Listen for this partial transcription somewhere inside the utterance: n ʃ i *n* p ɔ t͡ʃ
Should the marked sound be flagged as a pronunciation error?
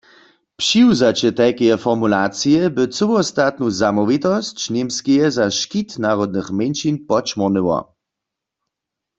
no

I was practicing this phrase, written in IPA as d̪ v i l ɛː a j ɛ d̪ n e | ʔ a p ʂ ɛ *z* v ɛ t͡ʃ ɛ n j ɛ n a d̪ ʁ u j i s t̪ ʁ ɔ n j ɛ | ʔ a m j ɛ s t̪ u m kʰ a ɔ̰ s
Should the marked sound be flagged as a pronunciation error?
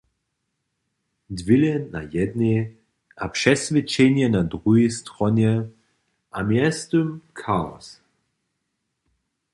yes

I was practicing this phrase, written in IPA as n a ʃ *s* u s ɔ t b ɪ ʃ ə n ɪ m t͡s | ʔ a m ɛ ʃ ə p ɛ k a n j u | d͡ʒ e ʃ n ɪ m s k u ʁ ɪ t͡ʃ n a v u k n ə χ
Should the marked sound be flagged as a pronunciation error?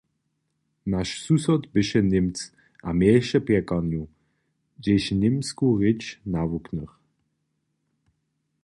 no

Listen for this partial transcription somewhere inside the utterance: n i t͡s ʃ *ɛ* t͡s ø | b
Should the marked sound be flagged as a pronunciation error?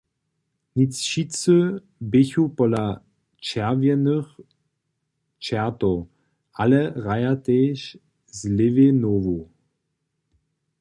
yes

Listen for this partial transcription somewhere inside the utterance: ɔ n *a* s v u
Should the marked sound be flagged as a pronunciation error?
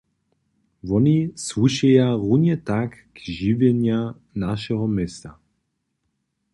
yes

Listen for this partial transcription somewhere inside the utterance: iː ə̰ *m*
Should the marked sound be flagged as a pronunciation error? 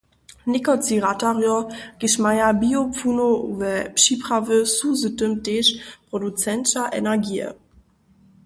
yes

